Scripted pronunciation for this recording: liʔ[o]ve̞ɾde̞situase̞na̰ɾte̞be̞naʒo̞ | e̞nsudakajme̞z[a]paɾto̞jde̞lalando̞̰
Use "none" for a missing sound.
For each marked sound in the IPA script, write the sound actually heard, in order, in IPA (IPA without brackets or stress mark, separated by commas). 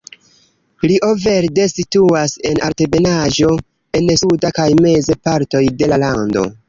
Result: o, e